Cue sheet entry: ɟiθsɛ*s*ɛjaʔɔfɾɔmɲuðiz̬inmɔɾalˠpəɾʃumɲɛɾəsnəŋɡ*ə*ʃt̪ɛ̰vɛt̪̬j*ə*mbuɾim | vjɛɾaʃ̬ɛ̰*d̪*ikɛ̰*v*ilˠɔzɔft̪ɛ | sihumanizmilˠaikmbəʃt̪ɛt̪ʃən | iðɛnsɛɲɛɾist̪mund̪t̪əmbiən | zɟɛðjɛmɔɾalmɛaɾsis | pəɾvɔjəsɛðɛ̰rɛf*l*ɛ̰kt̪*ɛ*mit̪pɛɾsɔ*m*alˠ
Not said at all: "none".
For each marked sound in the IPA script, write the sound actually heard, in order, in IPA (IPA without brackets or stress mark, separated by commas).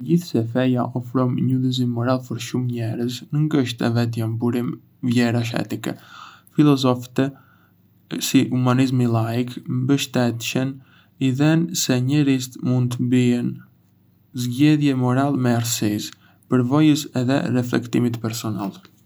f, ə, a, t̪, f, l, i, n